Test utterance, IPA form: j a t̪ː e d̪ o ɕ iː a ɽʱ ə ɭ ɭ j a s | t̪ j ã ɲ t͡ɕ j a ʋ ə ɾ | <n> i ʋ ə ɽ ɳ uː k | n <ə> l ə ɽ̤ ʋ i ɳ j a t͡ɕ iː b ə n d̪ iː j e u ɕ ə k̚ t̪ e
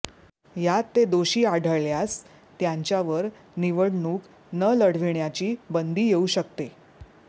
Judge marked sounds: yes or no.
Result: yes, yes

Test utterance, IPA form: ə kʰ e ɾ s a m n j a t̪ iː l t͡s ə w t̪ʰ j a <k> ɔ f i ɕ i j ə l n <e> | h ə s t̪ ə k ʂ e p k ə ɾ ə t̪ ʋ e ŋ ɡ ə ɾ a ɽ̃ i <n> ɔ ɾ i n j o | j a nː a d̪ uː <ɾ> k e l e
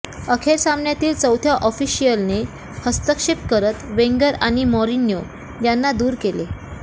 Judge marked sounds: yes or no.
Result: no, yes, no, yes

